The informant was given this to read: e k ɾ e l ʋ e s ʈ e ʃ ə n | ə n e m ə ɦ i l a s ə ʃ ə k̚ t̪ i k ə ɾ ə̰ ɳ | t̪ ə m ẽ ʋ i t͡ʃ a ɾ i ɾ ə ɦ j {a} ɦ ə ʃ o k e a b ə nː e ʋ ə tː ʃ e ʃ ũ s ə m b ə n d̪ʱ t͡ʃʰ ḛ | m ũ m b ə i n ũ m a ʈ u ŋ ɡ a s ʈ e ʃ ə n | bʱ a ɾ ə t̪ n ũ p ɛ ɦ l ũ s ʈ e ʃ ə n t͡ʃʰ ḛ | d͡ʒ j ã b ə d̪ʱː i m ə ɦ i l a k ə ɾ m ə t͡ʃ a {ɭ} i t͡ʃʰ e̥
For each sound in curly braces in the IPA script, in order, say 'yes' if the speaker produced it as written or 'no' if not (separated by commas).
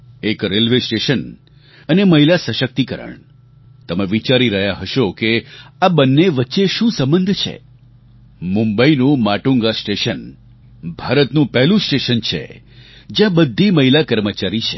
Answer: yes, no